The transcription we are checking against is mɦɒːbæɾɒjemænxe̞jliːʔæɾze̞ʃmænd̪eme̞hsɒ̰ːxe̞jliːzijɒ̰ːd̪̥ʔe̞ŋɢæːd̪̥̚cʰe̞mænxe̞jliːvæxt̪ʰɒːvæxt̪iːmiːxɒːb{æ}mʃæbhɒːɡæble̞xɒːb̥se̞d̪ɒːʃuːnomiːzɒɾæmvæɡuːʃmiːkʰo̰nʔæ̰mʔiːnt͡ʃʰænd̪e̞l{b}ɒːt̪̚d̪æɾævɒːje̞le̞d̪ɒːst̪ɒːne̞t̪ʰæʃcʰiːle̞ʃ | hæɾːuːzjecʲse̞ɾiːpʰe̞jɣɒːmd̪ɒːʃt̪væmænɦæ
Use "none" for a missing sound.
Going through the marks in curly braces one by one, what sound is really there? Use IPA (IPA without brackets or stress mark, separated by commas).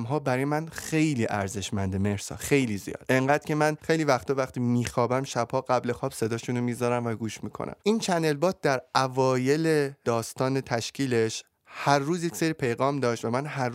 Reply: æ, b